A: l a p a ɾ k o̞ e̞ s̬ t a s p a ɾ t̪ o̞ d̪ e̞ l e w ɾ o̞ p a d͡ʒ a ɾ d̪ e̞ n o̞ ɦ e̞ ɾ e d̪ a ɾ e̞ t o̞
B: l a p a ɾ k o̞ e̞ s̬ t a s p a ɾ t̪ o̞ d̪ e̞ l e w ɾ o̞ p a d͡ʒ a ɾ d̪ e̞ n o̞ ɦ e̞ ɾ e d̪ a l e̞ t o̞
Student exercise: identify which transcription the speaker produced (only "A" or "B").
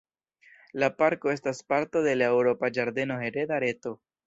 A